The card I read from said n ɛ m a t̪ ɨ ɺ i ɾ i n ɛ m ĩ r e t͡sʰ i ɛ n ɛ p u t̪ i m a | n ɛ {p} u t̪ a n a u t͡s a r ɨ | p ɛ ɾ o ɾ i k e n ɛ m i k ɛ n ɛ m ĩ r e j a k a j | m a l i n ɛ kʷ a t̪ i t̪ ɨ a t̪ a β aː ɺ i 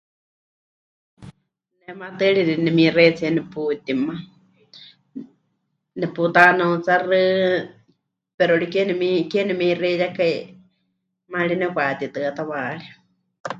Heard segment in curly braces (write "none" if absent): p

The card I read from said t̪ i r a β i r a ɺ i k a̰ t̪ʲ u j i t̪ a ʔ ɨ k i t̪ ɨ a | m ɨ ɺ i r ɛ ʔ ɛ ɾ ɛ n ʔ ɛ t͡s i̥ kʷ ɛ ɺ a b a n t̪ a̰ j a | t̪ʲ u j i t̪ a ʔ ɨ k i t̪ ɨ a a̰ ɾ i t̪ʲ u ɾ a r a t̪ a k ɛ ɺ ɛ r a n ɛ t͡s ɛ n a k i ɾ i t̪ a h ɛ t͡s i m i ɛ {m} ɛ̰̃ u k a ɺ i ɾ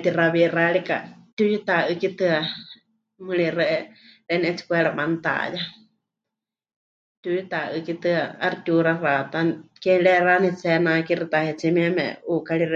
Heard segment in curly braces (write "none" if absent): m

